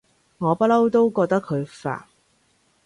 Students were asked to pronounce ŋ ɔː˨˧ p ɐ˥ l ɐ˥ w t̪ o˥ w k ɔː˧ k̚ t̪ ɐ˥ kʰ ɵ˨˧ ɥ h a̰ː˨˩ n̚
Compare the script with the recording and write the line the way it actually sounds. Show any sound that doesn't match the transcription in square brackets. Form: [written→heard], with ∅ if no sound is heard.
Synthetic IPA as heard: ŋ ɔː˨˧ p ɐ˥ l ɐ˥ w t̪ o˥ w k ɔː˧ k̚ t̪ ɐ˥ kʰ ɵ˨˧ ɥ [h→f] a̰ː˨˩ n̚